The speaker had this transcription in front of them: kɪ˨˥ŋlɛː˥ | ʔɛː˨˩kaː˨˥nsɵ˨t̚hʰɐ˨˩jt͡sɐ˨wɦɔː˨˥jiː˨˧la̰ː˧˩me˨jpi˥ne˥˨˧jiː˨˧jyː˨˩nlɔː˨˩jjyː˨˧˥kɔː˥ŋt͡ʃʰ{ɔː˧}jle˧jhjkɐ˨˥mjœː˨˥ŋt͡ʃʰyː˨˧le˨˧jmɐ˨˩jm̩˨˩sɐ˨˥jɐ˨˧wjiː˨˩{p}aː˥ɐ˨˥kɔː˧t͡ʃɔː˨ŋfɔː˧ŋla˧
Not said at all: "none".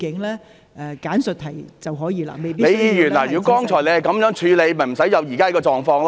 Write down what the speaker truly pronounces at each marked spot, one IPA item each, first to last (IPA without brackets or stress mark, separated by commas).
ɔː˨˩, k